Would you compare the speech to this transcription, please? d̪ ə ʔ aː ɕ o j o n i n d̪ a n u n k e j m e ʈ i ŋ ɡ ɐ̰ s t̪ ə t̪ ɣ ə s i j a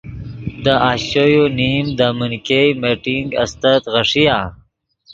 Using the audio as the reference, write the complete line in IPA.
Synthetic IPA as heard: d̪ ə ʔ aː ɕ o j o n i m d̪ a m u n k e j m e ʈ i ŋ ɡ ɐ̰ s t̪ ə t̪ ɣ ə ʂ i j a